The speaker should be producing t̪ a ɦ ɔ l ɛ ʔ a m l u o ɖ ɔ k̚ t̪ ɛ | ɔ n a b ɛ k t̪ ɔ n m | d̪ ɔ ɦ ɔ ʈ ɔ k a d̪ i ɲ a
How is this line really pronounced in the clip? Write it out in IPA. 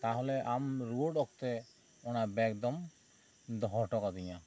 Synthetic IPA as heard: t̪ a ɦ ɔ l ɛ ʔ a m ɾ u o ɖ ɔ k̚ t̪ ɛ | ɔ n a b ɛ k d̪ ɔ m | d̪ ɔ ɦ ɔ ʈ ɔ k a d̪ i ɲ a